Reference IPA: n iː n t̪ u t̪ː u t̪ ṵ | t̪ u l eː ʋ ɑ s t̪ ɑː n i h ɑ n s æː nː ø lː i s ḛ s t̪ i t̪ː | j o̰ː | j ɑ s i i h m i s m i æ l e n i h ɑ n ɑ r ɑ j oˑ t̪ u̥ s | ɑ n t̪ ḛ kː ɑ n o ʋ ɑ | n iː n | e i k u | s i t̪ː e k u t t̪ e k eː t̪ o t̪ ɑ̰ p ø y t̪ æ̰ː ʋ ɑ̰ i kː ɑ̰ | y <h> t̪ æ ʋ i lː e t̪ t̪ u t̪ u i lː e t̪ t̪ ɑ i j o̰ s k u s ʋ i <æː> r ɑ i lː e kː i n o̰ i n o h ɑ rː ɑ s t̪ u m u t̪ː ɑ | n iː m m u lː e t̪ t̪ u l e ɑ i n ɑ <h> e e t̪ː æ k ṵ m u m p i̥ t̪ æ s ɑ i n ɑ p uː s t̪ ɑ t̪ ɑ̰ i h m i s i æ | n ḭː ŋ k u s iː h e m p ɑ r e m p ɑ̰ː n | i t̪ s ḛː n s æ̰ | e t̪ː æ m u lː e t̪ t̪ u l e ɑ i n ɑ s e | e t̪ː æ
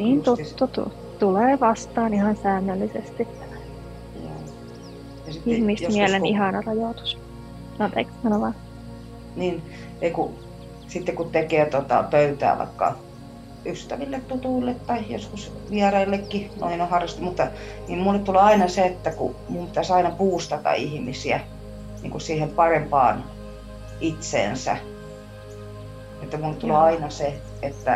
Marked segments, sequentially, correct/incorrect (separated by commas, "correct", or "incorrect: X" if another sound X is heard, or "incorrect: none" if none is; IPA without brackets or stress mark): incorrect: s, incorrect: æ, incorrect: s